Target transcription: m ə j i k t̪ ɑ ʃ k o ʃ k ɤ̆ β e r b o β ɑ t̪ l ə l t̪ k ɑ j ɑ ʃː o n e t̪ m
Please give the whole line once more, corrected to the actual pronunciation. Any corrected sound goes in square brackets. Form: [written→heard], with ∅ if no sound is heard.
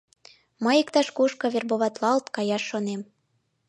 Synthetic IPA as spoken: m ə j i k t̪ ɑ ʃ k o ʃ k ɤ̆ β e r b o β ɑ t̪ l [ə→ɑ] l t̪ k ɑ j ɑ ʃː o n e [t̪→∅] m